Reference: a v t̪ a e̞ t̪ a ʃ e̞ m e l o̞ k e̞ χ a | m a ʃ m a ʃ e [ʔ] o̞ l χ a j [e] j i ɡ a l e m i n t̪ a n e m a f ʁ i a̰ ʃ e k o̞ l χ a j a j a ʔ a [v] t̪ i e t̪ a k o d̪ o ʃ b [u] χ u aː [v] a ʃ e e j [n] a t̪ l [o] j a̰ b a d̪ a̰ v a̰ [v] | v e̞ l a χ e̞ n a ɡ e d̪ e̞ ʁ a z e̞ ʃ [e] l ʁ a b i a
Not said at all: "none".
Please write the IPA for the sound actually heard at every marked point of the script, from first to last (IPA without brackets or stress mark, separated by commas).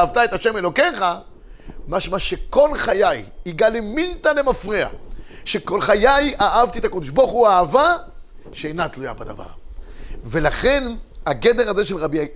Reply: k, a, v, o, v, n, u, ʁ, e